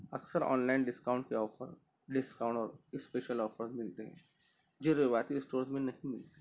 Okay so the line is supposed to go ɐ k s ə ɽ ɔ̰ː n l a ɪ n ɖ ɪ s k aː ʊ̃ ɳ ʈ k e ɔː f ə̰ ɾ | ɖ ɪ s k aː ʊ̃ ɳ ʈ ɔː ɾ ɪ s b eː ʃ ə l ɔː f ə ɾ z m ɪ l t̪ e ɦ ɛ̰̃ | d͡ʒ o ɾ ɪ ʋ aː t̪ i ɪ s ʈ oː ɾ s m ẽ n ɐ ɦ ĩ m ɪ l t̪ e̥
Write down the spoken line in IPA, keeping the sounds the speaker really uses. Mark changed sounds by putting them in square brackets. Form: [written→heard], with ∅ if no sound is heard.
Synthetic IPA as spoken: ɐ k s ə [ɽ→ɾ] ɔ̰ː n l a ɪ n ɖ ɪ s k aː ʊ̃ ɳ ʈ k e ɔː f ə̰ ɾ | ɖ ɪ s k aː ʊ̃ ɳ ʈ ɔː ɾ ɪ s [b→p] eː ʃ ə l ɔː f ə ɾ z m ɪ l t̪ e ɦ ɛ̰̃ | d͡ʒ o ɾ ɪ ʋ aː t̪ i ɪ s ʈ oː ɾ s m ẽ n ɐ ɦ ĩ m ɪ l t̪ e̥

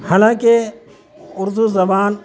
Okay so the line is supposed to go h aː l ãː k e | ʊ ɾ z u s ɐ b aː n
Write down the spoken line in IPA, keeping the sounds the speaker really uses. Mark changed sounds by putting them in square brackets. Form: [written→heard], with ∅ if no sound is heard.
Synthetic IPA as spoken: h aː l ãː k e | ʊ ɾ z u [s→z] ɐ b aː n

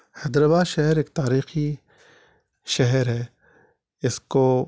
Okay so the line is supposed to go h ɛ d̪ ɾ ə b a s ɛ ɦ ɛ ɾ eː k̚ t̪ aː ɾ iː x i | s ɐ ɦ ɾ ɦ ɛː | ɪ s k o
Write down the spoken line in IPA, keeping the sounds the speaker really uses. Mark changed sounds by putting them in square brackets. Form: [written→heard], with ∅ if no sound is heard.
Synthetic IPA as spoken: h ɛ d̪ ɾ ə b a [s→ʃ] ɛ ɦ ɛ ɾ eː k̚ t̪ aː ɾ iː x i | [s→ʃ] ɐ ɦ ɾ ɦ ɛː | ɪ s k o

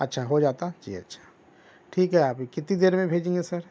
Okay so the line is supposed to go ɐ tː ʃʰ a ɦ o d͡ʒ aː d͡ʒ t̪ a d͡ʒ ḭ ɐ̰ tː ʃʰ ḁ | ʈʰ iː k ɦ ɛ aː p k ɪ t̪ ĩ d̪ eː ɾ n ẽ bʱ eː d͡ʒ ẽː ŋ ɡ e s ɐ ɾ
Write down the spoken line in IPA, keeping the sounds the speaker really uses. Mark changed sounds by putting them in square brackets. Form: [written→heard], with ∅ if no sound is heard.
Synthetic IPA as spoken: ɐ tː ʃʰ a ɦ o d͡ʒ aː [d͡ʒ→∅] t̪ a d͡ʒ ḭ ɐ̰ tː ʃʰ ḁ | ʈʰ iː k ɦ ɛ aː p k ɪ t̪ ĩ d̪ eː ɾ [n→m] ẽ bʱ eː d͡ʒ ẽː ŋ ɡ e s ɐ ɾ

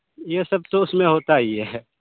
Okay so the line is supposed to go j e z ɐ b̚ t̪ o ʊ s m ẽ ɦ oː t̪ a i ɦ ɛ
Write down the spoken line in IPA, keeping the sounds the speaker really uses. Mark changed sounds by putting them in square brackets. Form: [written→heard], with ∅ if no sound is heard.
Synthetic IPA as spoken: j e [z→s] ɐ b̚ t̪ o ʊ s m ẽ ɦ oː t̪ a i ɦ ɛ

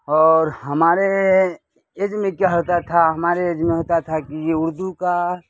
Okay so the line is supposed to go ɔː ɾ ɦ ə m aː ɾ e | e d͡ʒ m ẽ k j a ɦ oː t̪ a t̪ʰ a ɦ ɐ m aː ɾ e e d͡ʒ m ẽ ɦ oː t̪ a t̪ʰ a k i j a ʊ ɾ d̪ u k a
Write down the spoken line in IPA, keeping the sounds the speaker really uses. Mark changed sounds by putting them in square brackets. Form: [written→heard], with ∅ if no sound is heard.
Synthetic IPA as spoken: ɔː ɾ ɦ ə m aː ɾ e | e d͡ʒ m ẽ k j a ɦ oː t̪ a t̪ʰ a ɦ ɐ m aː ɾ e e d͡ʒ m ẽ ɦ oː t̪ a t̪ʰ a k i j [a→e] ʊ ɾ d̪ u k a

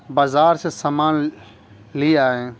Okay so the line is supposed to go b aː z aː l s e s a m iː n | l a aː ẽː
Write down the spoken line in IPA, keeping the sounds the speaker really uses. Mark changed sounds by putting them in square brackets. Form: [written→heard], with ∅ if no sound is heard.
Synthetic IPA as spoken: b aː z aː [l→ɾ] s e s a m [iː→aː] n | l [a→i] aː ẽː

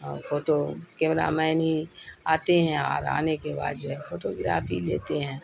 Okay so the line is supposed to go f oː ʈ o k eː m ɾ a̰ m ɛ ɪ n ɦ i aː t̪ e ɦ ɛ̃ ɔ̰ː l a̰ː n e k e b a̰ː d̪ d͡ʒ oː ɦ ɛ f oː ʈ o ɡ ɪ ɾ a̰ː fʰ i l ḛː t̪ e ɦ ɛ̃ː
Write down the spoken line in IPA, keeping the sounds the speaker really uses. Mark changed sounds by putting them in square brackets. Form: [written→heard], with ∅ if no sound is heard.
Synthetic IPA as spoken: f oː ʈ o k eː m ɾ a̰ m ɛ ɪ n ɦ i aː t̪ e ɦ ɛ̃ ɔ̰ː [l→ɾ] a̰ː n e k e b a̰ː d̪ d͡ʒ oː ɦ ɛ f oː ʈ o ɡ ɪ ɾ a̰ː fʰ i l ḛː t̪ e ɦ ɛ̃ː

